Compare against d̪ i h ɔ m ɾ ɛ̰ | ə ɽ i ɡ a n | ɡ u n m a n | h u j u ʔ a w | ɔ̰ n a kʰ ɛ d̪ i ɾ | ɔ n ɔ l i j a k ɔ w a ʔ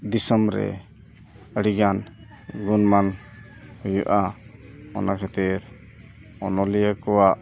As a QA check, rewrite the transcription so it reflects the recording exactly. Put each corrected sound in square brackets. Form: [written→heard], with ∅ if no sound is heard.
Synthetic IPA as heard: d̪ i [h→s] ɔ m ɾ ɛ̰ | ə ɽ i ɡ a n | ɡ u n m a n | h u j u ʔ a [w→∅] | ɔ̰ n a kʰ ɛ [d̪→t̪] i ɾ | ɔ n ɔ l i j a k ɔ w a ʔ